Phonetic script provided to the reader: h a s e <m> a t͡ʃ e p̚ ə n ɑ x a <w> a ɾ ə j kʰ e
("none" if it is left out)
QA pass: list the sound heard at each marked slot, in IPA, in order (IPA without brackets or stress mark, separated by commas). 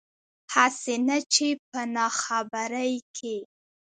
n, b